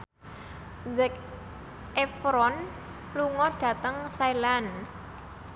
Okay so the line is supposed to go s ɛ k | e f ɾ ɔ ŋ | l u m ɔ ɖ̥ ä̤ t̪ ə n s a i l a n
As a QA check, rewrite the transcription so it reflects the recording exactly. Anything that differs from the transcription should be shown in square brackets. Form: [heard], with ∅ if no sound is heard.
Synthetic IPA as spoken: [z] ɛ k | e f ɾ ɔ [n] | l u [ŋ] ɔ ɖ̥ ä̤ t̪ ə [ŋ] s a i l a n